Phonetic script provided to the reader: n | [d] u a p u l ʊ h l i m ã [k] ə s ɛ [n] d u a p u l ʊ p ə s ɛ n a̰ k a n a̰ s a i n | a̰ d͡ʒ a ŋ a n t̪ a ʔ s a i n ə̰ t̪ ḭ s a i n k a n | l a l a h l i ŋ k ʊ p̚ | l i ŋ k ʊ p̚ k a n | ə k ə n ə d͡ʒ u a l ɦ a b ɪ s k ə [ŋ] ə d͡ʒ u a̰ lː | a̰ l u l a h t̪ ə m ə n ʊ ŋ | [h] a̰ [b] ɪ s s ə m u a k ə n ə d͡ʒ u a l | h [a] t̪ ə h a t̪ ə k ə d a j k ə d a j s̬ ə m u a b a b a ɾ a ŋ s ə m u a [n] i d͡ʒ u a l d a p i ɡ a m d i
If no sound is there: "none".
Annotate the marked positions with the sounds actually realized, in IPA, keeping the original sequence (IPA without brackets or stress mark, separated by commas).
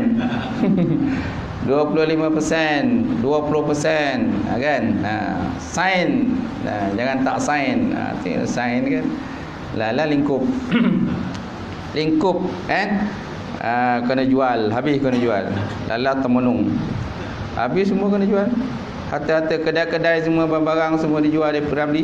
d, p, n, n, h, b, a, d